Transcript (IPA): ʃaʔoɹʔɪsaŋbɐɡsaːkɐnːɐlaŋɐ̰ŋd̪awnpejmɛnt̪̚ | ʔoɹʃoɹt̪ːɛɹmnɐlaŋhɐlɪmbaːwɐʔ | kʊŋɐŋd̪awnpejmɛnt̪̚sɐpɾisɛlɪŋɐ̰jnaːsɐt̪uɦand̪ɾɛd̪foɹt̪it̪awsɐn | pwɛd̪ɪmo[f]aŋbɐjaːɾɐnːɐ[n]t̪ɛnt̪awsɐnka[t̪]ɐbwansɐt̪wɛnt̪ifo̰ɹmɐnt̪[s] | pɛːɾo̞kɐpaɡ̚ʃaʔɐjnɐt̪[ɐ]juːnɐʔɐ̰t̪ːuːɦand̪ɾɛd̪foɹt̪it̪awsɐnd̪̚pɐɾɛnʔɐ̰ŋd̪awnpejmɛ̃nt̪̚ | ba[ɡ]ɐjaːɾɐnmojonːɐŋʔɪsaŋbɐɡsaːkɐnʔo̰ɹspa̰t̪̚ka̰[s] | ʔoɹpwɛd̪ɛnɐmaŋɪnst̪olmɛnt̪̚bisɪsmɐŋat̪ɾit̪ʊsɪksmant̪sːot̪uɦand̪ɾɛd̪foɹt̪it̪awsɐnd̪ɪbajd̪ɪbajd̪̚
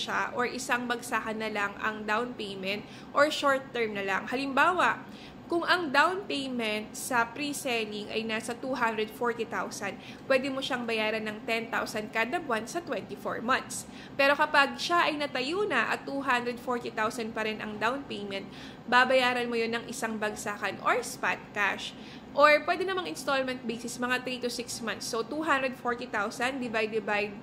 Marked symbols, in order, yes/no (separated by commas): no, no, no, yes, yes, no, no